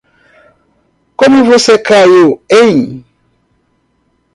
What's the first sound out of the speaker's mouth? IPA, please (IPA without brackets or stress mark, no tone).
k